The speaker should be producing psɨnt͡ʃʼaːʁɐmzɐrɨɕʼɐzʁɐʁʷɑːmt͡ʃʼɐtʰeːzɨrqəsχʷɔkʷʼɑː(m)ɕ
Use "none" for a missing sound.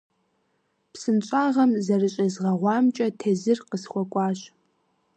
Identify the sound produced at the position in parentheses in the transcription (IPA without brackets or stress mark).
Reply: none